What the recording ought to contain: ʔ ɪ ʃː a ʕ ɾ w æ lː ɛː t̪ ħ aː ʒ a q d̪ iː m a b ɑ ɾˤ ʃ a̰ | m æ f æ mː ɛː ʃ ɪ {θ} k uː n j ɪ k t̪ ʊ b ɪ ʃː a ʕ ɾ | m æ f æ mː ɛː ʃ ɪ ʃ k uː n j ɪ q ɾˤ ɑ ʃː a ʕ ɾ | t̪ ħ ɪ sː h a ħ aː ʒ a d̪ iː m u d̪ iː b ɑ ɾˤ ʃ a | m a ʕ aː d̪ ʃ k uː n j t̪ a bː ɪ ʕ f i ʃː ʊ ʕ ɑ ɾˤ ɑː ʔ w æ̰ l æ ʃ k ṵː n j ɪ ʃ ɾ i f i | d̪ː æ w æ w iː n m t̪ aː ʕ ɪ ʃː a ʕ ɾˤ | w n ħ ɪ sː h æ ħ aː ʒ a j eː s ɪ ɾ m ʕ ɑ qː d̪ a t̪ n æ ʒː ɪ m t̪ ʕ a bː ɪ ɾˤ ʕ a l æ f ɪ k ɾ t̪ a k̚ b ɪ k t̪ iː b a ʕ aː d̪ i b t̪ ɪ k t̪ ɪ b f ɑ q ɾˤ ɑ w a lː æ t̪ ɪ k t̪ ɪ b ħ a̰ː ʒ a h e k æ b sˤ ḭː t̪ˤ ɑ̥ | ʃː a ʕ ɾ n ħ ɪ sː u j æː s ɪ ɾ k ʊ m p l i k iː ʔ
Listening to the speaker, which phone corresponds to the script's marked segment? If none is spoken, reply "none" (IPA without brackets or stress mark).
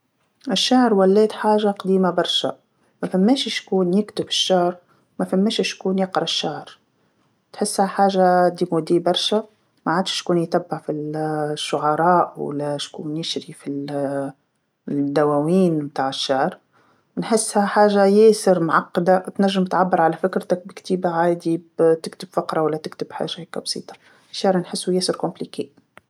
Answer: ʃ